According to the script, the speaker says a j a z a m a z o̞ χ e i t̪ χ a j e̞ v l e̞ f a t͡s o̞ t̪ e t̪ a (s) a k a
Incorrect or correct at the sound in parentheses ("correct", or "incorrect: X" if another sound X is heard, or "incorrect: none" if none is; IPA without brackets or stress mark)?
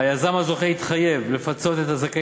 incorrect: z